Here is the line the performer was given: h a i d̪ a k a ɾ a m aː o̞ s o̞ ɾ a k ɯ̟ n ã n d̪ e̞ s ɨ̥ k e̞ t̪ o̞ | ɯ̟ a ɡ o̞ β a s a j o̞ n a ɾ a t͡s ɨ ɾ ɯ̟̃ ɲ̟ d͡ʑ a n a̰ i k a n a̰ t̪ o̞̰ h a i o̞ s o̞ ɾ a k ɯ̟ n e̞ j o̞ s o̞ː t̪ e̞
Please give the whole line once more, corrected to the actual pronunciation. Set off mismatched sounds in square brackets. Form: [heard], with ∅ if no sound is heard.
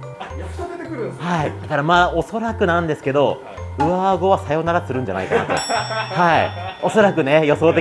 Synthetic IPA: h a i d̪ a k a ɾ a m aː o̞ s o̞ ɾ a k ɯ̟ n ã n d̪ e̞ s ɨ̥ k e̞ [d̪] o̞ | ɯ̟ a ɡ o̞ β a s a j o̞ n a ɾ a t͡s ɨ ɾ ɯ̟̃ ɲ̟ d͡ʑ a n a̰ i k a n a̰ t̪ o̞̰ h a i o̞ s o̞ ɾ a k ɯ̟ n e̞ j o̞ s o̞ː t̪ e̞